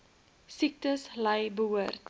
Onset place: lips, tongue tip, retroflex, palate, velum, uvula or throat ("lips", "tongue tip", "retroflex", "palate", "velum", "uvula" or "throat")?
tongue tip